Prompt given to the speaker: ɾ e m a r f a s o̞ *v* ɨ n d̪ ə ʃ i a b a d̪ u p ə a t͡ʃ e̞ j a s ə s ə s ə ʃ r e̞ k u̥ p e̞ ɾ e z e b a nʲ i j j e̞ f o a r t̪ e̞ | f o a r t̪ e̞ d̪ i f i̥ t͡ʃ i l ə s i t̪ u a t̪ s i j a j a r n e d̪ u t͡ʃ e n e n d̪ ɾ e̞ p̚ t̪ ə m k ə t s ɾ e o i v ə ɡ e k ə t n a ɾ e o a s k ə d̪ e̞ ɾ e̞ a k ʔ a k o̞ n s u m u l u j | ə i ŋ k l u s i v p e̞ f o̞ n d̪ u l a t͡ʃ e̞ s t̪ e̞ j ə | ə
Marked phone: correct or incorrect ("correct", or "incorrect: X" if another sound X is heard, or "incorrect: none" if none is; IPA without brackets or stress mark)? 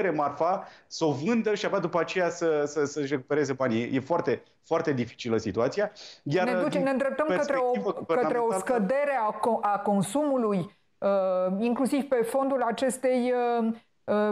correct